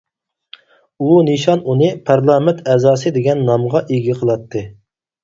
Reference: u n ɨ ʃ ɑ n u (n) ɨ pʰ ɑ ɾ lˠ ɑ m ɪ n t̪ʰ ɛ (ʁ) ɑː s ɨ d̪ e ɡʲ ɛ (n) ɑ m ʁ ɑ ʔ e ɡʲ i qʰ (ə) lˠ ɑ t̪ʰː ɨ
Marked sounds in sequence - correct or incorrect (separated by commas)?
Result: correct, incorrect, incorrect, correct